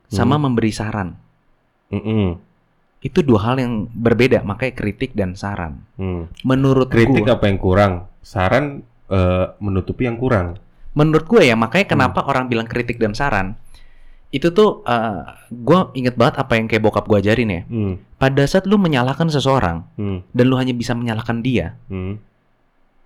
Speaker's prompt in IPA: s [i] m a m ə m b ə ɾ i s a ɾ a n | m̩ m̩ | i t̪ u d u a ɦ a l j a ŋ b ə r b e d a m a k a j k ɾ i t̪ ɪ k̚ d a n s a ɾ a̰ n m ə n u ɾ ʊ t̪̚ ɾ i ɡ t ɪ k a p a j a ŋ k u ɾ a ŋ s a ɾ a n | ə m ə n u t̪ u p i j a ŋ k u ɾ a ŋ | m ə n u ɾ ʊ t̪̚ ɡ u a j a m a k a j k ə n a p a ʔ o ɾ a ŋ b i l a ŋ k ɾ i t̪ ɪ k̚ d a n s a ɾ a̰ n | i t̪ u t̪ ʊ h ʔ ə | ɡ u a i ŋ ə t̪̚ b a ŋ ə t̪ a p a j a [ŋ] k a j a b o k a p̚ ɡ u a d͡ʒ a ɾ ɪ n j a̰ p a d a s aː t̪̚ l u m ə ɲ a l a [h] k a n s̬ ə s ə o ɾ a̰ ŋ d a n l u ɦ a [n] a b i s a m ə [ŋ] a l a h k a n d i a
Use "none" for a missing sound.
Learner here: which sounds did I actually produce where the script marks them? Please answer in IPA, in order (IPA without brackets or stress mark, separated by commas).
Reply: a, ŋ, h, ɲ, ɲ